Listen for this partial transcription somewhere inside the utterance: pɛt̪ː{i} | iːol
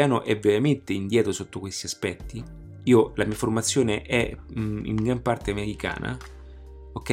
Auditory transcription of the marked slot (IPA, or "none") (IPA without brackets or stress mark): i